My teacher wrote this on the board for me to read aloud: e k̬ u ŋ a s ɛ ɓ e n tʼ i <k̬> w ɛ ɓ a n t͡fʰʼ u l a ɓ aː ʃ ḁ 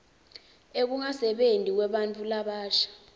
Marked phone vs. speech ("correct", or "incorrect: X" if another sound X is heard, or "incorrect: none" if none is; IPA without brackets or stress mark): correct